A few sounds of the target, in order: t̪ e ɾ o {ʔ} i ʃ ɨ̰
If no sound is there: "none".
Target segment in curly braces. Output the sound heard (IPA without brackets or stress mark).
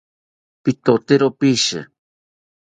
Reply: p